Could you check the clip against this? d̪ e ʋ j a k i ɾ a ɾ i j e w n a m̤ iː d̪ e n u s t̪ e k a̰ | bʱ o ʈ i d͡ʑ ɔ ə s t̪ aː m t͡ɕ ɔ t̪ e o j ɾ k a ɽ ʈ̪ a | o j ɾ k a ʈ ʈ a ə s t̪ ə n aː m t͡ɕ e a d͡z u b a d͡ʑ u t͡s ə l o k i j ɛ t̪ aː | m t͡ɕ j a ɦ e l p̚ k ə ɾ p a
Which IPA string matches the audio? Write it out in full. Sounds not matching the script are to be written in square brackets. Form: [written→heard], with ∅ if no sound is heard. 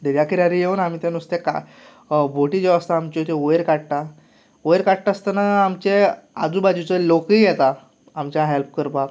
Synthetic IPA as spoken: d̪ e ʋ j a k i ɾ a ɾ i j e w n a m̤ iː [d̪→t̪] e n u s t̪ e k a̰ | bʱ o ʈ i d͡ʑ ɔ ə s t̪ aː m t͡ɕ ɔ t̪ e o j ɾ k a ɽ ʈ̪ a | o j ɾ k a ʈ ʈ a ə s t̪ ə n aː m t͡ɕ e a d͡z u b a d͡ʑ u t͡s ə l o k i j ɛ t̪ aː | m t͡ɕ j a ɦ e l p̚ k ə ɾ p a